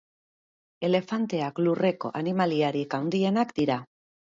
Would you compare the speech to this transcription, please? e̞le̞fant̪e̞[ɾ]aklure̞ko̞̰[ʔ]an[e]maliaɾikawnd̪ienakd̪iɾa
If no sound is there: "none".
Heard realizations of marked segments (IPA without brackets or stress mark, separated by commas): none, ʔ, i